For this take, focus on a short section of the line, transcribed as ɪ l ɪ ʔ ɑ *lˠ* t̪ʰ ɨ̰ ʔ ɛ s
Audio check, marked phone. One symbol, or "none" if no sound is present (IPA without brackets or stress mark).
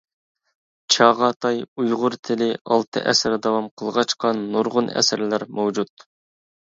lˠ